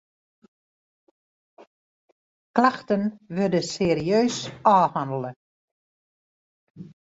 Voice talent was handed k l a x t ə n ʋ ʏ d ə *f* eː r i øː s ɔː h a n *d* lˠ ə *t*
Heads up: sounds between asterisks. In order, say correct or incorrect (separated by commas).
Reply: incorrect, correct, incorrect